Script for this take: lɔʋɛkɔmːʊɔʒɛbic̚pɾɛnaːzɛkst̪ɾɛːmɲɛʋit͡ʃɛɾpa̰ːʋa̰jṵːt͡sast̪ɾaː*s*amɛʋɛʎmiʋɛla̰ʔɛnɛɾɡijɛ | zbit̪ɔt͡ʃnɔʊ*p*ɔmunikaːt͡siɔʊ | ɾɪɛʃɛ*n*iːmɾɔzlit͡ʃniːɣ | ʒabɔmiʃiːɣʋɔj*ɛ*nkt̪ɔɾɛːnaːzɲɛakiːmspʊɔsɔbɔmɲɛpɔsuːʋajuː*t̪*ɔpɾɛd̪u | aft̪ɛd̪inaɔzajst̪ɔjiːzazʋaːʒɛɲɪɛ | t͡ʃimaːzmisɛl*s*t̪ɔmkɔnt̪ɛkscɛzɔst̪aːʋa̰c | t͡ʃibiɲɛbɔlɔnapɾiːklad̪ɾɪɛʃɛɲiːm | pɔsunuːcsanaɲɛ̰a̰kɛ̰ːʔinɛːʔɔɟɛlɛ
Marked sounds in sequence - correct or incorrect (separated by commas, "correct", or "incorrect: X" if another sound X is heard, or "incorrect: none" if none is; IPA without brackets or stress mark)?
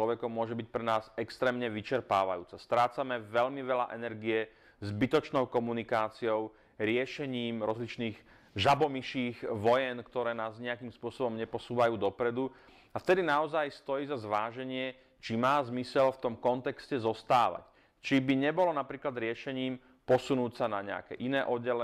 incorrect: t͡s, incorrect: k, incorrect: ɲ, correct, incorrect: d̪, incorrect: f